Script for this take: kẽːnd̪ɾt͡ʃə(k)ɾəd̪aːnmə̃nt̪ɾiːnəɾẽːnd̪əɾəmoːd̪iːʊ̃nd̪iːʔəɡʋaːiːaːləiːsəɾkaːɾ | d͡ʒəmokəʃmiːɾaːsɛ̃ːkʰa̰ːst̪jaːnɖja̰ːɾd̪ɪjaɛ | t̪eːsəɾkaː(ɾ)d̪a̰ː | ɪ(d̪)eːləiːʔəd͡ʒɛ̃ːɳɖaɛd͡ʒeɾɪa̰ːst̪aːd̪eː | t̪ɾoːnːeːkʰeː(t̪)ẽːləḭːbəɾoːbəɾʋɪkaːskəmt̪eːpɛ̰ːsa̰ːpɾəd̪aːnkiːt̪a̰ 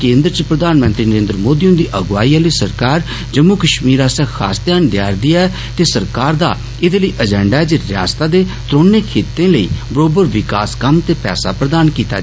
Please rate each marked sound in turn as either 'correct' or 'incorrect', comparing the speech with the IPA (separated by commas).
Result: incorrect, correct, correct, correct